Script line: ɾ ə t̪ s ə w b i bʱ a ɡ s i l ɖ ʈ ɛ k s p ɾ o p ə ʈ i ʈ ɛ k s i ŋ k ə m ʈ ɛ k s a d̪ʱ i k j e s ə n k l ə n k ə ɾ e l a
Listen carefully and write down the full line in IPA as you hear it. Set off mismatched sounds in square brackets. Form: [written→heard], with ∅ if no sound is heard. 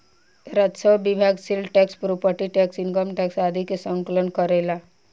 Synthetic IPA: ɾ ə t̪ s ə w b i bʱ a ɡ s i l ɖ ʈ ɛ k s p ɾ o p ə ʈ i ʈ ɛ k s i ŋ k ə m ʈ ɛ k s a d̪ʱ i k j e s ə [n→ŋ] k l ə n k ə ɾ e l a